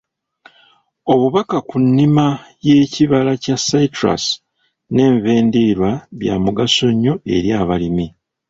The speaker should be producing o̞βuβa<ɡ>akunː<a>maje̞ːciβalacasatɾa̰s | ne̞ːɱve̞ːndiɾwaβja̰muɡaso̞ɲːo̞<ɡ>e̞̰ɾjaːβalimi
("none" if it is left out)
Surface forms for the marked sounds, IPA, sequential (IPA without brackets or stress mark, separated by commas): k, i, none